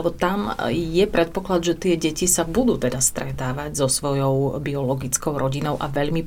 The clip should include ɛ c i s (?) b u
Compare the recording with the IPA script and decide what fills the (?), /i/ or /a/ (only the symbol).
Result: a